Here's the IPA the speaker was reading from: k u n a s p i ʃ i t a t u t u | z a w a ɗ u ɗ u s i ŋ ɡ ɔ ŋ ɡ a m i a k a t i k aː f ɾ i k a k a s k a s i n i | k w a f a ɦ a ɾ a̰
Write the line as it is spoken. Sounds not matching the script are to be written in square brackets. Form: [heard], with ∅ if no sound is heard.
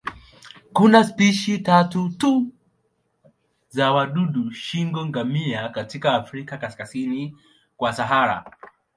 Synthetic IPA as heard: k u n a s p i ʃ i t a t u t u | z a w a ɗ u ɗ u [ʃ] i ŋ ɡ ɔ ŋ ɡ a m i a k a t i k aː f ɾ i k a k a s k a s i n i | k w a [s] a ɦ a ɾ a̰